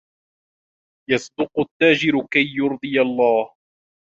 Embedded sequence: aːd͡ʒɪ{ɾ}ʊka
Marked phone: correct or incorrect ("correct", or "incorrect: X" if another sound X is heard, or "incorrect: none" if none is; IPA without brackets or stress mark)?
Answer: correct